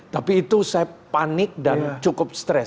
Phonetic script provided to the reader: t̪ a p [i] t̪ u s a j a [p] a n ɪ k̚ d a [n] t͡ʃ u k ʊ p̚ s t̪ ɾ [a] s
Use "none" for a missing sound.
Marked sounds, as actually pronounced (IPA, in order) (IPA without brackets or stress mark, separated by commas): iː, p, n, ɛ